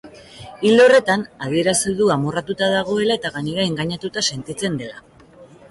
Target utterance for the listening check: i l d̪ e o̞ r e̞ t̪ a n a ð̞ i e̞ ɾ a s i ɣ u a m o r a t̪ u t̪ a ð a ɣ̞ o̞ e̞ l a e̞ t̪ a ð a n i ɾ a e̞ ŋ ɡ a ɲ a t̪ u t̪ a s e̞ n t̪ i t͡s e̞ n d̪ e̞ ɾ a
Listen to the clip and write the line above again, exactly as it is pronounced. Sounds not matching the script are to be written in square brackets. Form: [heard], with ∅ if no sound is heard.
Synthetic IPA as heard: i l d̪ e o̞ r e̞ t̪ a n a ð̞ i e̞ ɾ a s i [ð] u a m o r a t̪ u t̪ a ð a ɣ̞ o̞ e̞ l a e̞ t̪ a [ɣ] a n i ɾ a e̞ ŋ ɡ a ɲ a t̪ u t̪ a s e̞ n t̪ i t͡s e̞ n d̪ e̞ [l] a

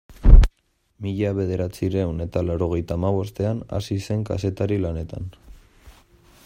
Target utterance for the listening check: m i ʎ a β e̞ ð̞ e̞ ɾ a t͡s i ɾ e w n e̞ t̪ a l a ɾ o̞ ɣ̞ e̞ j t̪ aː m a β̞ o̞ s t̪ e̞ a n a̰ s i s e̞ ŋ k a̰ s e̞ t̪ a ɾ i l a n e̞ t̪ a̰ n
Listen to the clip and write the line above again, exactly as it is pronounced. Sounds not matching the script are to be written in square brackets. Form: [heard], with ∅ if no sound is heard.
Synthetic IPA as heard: m i ʎ a β e̞ ð̞ e̞ ɾ a t͡s i ɾ e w n e̞ t̪ a l a ɾ o̞ ɣ̞ e̞ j t̪ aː m a β̞ o̞ s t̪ e̞ a n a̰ s i s e̞ ŋ k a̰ s e̞ t̪ a ɾ i l a n e̞ t̪ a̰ n

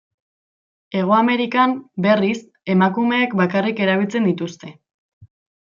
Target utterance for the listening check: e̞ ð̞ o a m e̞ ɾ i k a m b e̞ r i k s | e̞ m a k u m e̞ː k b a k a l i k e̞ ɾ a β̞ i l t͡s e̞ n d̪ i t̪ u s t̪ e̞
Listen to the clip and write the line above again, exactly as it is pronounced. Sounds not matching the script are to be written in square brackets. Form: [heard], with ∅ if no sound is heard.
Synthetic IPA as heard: e̞ [ɣ̞] o a m e̞ ɾ i k a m b e̞ r i [∅] s | e̞ m a k u m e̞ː k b a k a [r] i k e̞ ɾ a β̞ i l t͡s e̞ n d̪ i t̪ u s t̪ e̞

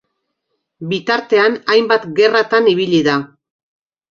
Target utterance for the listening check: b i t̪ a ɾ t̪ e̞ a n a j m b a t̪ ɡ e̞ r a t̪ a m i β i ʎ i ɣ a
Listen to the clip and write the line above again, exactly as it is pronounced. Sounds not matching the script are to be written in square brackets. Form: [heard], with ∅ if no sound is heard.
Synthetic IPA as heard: b i t̪ a ɾ t̪ e̞ a n a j m b a t̪ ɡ e̞ r a t̪ a [n] i β i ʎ i [ð] a

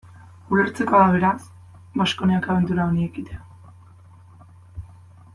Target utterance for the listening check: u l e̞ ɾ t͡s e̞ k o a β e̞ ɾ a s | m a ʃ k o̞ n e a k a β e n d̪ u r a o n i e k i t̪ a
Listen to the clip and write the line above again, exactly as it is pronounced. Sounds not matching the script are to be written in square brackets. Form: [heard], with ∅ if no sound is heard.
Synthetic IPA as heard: u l e̞ ɾ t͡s e̞ k o a β e̞ ɾ a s | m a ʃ k o̞ n e a k a β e n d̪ u [ɾ] a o n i e k i t̪ [e]

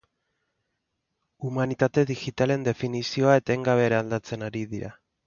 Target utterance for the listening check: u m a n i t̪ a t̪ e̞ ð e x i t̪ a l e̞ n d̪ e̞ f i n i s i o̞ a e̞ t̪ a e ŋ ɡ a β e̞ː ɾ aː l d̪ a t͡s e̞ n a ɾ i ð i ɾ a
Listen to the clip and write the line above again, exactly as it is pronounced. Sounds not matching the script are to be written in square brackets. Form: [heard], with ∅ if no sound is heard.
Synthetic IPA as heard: u m a n i t̪ a t̪ e̞ ð [i] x i t̪ a l e̞ n d̪ e̞ f i n i s i o̞ a e̞ t̪ a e ŋ ɡ a β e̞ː ɾ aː l d̪ a t͡s e̞ n a ɾ i ð i ɾ a

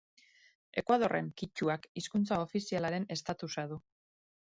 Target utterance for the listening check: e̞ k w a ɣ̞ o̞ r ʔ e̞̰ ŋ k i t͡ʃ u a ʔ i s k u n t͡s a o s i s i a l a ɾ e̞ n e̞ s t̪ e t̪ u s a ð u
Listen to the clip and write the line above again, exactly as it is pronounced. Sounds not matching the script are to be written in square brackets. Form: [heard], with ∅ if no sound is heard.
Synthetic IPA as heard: e̞ k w a [ð̞] o̞ r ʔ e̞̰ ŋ k i t͡ʃ u a [k] i s k u n t͡s a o [f] i s i a l a ɾ e̞ n e̞ s t̪ [a] t̪ u s a ð u

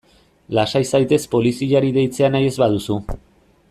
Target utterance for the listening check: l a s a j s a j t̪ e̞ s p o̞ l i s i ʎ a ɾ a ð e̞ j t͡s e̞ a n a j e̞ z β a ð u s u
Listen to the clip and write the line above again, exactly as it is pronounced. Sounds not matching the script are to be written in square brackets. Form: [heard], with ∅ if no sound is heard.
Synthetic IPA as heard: l a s a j s a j t̪ e̞ s p o̞ l i s i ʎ a ɾ [i] ð e̞ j t͡s e̞ a n a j e̞ z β a ð u s u

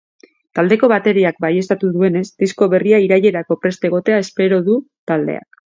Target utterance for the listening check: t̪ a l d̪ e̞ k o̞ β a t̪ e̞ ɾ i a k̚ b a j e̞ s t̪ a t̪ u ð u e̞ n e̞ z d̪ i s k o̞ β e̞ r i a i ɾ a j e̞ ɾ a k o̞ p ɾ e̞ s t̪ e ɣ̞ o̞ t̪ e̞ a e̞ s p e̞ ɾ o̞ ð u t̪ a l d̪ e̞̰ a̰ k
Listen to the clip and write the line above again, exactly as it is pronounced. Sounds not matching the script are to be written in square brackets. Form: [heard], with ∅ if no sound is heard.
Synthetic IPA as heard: t̪ a l d̪ e̞ k o̞ β a t̪ e̞ ɾ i a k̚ b a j e̞ s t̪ a t̪ u ð u e̞ n e̞ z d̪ i s k o̞ β e̞ r i a i ɾ a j e̞ ɾ a k o̞ p ɾ e̞ s t̪ e ɣ̞ o̞ t̪ e̞ a e̞ s p e̞ ɾ o̞ ð u t̪ a l d̪ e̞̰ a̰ k

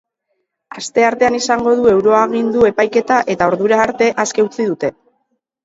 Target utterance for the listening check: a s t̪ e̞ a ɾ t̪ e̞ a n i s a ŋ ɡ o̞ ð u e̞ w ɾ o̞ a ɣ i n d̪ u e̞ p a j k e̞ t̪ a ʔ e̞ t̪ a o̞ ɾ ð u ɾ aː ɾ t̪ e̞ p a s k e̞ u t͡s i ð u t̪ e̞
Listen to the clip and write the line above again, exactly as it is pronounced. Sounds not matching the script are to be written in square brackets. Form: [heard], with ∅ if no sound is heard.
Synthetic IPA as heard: a s t̪ e̞ a ɾ t̪ e̞ a n i s a ŋ ɡ o̞ ð u e̞ w ɾ o̞ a ɣ i n d̪ u e̞ p a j k e̞ t̪ a ʔ e̞ t̪ a o̞ ɾ ð u ɾ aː ɾ t̪ e̞ [ʔ] a s k e̞ u t͡s i ð u t̪ e̞

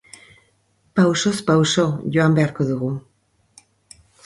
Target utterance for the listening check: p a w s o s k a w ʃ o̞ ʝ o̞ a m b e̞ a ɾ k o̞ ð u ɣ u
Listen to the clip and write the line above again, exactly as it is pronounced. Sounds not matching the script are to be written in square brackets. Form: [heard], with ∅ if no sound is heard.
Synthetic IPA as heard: p a w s o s [p] a w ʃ o̞ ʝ o̞ a m b e̞ a ɾ k o̞ ð u ɣ u

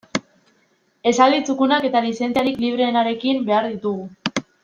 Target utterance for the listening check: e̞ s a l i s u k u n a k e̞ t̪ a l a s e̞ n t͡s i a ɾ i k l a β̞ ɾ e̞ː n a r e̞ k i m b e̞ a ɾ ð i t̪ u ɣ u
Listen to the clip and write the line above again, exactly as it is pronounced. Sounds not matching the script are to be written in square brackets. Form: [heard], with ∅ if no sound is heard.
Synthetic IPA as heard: e̞ s a l i [t͡s] u k u n a k e̞ t̪ a l [i] s e̞ n t͡s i a ɾ i k l [i] β̞ ɾ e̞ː n a [ɾ] e̞ k i m b e̞ a ɾ ð i t̪ u ɣ u

